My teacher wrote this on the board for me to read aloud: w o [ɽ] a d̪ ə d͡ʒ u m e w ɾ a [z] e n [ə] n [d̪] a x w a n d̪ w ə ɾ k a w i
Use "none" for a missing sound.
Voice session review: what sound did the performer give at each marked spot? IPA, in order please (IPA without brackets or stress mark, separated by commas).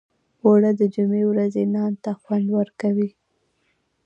ɽ, z, ɑ, t̪